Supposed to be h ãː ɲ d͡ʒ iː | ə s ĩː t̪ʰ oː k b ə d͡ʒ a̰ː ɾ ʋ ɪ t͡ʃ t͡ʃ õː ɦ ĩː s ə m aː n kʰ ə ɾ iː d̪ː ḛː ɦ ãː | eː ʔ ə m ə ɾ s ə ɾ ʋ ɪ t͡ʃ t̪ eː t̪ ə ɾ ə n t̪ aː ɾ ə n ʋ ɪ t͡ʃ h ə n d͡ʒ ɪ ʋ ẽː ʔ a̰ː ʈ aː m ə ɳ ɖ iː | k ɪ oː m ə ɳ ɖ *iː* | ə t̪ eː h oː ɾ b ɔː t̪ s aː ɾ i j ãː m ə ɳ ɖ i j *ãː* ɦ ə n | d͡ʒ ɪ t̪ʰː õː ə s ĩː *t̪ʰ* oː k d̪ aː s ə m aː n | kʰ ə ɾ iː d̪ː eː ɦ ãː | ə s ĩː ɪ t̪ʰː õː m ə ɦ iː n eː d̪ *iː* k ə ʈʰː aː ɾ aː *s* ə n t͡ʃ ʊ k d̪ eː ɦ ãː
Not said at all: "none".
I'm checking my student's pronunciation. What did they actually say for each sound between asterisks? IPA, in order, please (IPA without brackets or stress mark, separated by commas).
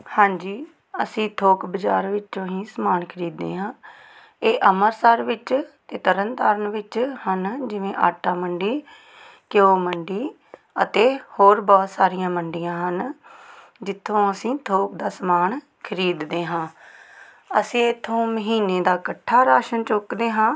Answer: iː, ãː, t̪ʰ, aː, ʃ